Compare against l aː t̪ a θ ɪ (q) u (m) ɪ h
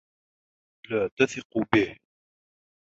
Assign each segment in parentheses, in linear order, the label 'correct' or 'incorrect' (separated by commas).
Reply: correct, incorrect